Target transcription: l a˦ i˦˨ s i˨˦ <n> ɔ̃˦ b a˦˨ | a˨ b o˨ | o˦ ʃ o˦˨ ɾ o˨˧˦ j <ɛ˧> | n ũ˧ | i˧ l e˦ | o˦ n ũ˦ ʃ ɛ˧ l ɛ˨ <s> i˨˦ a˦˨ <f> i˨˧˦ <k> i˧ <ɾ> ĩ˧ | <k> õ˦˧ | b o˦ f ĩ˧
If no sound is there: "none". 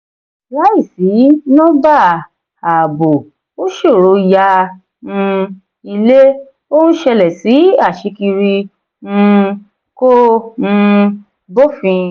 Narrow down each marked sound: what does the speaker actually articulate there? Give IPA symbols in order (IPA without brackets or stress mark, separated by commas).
n, a˧, s, ʃ, k, ɾ, k